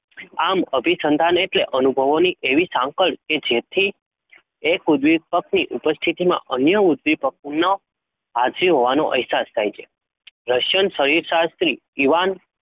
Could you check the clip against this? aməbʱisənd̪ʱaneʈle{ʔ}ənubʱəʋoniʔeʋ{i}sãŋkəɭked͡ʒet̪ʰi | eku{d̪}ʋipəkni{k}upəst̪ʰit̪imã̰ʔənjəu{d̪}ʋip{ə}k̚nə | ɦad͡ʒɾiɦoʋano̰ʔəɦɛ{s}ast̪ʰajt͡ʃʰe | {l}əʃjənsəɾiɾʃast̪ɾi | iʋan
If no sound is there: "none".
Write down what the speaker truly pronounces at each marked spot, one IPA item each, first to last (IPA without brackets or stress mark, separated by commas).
ʔ, i, d̪, ʔ, d̪, ə, s, ɾ